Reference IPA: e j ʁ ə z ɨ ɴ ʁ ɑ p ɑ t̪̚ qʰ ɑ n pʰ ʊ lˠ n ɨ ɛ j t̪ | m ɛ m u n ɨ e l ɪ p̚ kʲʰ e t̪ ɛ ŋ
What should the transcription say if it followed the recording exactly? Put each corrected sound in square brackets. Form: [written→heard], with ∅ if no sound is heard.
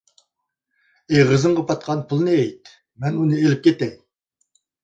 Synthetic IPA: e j ʁ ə z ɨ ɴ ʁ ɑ p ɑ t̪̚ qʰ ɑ n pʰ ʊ lˠ n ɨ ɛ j t̪ | m ɛ [m→n] u n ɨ e l ɪ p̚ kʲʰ e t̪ ɛ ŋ